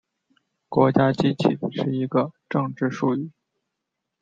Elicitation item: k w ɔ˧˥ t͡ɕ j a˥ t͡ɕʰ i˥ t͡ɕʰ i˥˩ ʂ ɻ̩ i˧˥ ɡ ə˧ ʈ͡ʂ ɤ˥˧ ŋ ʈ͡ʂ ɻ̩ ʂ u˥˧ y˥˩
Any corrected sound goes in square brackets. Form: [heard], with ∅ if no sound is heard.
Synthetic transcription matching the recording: k w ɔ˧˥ t͡ɕ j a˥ [t͡ɕ] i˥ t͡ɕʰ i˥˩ ʂ ɻ̩ i˧˥ ɡ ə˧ ʈ͡ʂ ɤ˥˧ ŋ ʈ͡ʂ ɻ̩ ʂ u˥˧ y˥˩

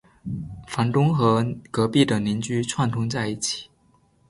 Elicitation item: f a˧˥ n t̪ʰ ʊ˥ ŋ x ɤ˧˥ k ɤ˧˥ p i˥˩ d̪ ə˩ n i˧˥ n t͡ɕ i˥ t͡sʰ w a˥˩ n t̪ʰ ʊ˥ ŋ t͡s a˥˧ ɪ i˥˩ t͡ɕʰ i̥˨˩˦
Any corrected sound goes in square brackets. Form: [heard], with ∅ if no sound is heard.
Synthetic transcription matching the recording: f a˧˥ n [t̪] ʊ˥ ŋ x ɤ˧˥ k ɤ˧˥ p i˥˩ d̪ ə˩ n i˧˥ n t͡ɕ [y˥] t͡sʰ w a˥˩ n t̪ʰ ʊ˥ ŋ t͡s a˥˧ ɪ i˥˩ t͡ɕʰ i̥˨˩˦

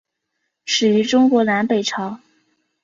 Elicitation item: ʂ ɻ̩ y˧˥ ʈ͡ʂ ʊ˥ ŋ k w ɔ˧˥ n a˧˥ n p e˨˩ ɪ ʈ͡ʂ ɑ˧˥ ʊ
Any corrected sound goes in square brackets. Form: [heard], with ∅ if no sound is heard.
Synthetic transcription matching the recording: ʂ ɻ̩ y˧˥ ʈ͡ʂ ʊ˥ ŋ k w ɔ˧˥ n a˧˥ n p e˨˩ ɪ [ʈ͡ʂʰ] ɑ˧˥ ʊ

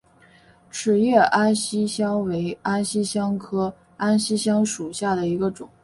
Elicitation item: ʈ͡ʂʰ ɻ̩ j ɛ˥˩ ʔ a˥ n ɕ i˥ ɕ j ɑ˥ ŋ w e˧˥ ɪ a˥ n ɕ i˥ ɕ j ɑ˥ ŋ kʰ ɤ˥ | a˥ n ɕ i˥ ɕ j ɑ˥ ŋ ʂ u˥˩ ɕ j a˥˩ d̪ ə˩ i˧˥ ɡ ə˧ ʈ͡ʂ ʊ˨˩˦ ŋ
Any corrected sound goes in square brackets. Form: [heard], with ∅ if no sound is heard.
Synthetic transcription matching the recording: ʈ͡ʂʰ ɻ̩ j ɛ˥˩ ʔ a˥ n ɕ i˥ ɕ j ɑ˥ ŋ w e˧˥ ɪ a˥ n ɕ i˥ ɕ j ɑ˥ ŋ kʰ ɤ˥ | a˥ n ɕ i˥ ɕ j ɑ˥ ŋ ʂ [u˨˩] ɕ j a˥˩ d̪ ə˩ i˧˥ ɡ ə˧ ʈ͡ʂ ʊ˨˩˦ ŋ

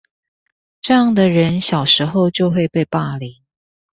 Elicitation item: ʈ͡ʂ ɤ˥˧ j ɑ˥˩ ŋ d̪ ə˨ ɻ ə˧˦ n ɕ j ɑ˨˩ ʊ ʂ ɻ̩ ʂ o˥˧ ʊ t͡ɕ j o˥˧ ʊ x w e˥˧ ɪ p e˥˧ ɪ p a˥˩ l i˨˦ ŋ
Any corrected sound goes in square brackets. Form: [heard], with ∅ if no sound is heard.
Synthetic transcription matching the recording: ʈ͡ʂ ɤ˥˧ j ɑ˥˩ ŋ d̪ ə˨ ɻ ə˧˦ n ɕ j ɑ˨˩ ʊ ʂ ɻ̩ [x] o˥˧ ʊ t͡ɕ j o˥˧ ʊ x w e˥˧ ɪ p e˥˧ ɪ p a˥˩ l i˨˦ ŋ

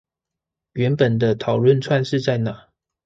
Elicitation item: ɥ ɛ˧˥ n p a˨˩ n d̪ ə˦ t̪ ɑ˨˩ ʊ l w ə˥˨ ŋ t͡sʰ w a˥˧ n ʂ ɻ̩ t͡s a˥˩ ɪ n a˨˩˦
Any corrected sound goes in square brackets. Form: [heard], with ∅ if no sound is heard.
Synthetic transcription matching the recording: ɥ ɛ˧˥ n p [ə˨˩] n d̪ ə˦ [t̪ʰ] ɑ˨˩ ʊ l w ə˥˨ [n] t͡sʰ w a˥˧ n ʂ ɻ̩ t͡s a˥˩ ɪ n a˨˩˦

